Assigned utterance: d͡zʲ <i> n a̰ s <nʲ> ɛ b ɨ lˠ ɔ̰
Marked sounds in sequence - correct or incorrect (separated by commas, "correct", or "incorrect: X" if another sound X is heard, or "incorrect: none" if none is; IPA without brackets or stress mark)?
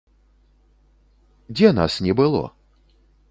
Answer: incorrect: ɛ, correct